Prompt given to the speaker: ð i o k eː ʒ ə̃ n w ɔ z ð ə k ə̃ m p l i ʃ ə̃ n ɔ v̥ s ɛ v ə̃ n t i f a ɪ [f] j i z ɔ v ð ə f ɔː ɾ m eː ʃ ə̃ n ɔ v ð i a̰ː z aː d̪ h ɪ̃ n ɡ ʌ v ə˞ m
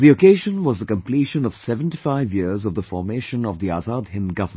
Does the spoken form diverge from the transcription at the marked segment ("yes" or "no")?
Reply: yes